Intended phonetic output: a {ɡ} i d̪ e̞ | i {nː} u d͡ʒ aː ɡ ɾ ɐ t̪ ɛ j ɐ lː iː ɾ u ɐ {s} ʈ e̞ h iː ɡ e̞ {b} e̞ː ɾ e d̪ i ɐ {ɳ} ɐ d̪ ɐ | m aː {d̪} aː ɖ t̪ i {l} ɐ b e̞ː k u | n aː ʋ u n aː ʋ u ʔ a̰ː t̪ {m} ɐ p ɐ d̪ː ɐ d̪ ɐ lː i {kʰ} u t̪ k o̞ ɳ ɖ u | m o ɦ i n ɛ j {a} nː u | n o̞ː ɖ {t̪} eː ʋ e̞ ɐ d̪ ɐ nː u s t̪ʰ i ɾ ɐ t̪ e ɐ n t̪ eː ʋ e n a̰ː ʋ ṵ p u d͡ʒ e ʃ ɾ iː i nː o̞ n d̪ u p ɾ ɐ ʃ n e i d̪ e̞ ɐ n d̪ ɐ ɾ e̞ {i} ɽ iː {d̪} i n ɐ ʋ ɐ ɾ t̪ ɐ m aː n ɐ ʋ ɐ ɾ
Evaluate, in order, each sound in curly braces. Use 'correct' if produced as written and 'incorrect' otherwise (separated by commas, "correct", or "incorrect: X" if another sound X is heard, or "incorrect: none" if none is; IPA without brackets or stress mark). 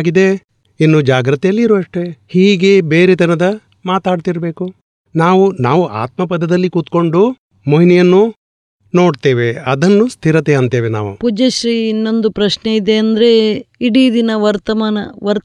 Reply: correct, correct, incorrect: ʂ, correct, incorrect: n, incorrect: t̪, incorrect: ɾ, correct, incorrect: k, incorrect: ɐ, correct, correct, correct